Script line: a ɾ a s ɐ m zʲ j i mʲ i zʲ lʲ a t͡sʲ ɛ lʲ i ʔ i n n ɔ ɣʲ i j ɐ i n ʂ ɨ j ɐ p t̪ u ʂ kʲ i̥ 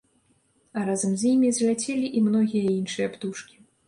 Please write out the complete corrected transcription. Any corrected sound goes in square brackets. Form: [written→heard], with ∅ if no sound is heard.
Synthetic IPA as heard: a ɾ a [s→z] ɐ m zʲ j i mʲ i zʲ lʲ a t͡sʲ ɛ lʲ i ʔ i [n→m] n ɔ ɣʲ i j ɐ i n ʂ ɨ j ɐ p t̪ u ʂ kʲ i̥